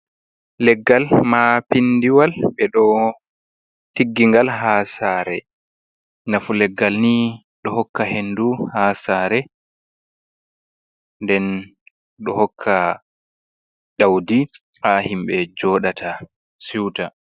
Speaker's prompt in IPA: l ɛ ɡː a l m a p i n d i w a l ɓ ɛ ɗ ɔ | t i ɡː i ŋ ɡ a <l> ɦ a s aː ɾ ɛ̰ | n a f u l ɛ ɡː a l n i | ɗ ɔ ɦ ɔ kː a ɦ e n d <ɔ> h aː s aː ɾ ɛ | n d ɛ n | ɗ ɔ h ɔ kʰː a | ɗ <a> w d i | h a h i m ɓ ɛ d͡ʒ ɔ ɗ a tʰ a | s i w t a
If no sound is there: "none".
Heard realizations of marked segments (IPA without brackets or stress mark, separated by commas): l, u, a